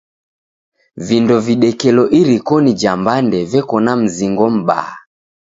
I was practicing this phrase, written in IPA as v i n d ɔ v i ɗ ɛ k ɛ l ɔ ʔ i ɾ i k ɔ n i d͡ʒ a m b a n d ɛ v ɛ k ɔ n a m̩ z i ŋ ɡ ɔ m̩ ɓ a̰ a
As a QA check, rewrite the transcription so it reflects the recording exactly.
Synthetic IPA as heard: v i n d ɔ v i ɗ ɛ k ɛ l ɔ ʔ i ɾ i k ɔ n i d͡ʒ a m b a n d ɛ v ɛ k ɔ n a m̩ z i ŋ ɡ ɔ m̩ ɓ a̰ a